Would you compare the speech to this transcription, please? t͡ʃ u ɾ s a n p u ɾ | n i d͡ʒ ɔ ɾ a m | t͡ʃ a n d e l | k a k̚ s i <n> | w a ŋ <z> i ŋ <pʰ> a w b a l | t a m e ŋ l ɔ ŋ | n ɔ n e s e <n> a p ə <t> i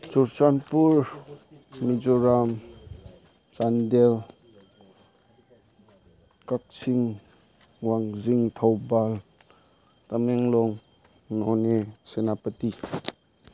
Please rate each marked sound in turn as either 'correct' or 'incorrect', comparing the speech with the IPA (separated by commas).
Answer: incorrect, correct, incorrect, correct, correct